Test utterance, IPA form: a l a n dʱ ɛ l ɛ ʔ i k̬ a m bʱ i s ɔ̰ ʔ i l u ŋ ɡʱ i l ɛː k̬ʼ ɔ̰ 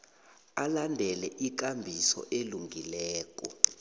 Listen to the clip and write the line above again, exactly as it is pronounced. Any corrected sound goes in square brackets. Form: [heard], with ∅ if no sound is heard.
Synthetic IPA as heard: a l a n dʱ ɛ l ɛ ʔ i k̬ a m bʱ i s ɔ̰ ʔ [e] l u ŋ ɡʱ i l ɛː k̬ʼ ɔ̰